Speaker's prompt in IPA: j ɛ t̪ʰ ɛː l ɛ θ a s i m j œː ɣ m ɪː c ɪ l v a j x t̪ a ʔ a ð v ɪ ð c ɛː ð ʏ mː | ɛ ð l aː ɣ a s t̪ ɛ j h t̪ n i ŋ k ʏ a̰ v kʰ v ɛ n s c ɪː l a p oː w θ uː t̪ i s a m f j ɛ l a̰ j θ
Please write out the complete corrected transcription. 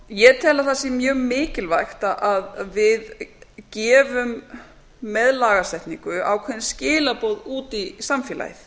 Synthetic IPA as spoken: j ɛ t̪ʰ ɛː l a θ a s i m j œː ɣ m ɪː c ɪ l v a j x t̪ a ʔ a ð v ɪ ð c ɛː v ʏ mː | ɛ ð l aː ɣ a s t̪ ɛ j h t̪ n i ŋ k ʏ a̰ w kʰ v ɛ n s c ɪː l a p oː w ð uː t̪ i s a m f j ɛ l a̰ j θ